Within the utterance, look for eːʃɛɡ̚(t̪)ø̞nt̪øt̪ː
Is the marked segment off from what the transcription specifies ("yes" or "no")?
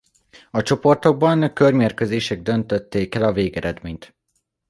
yes